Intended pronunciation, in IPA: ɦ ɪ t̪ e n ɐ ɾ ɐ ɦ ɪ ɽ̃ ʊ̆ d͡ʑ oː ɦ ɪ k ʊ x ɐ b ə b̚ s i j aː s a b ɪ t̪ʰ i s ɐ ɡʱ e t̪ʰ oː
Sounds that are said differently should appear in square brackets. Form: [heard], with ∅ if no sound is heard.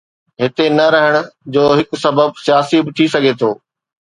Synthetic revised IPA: ɦ ɪ t̪ e n ɐ ɾ ɐ ɦ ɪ ɽ̃ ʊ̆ d͡ʑ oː ɦ ɪ k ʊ [s] ɐ b ə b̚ s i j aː s [i] b ɪ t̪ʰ i s ɐ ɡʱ e t̪ʰ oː